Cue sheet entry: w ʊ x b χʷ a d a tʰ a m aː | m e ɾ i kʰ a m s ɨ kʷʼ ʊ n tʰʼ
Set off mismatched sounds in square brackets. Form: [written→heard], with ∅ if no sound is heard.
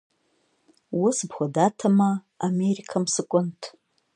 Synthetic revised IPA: w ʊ [x→s] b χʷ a d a tʰ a m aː | m e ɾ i kʰ a m s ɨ kʷʼ ʊ n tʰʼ